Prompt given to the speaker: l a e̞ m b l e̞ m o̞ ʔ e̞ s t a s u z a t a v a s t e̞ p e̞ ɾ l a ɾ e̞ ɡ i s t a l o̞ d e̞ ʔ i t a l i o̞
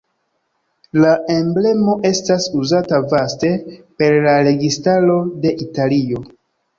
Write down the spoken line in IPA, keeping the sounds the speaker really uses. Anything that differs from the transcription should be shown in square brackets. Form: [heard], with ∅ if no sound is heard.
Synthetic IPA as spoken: l a e̞ m b l e̞ m o̞ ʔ e̞ s t a s u z a t a v a s t e̞ p e̞ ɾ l a ɾ e̞ ɡ i s t a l o̞ d e̞ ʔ i t a l i o̞